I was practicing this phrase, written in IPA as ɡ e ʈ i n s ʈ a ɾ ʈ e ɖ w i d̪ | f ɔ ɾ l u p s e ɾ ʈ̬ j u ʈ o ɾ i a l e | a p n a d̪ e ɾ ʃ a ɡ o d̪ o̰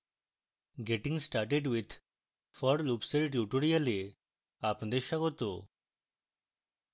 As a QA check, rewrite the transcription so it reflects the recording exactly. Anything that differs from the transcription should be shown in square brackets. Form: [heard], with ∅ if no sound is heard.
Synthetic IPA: ɡ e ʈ i [ŋ] s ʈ a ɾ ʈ e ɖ w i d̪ | f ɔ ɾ l u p s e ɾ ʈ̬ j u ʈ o ɾ i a l e | a p n a d̪ e ɾ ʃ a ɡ o [t̪] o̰